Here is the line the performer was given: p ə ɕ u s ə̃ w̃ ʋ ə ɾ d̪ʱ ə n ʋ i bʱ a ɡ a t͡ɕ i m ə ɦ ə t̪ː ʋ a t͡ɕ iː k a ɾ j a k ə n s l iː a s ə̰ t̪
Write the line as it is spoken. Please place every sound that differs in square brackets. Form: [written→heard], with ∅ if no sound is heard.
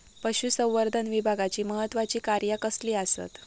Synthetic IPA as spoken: p ə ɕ u s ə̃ w̃ ʋ ə ɾ d̪ʱ ə n ʋ i bʱ a ɡ a t͡ɕ [i→iː] m ə ɦ ə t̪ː ʋ a t͡ɕ iː k a ɾ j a k ə [n→∅] s l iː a s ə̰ t̪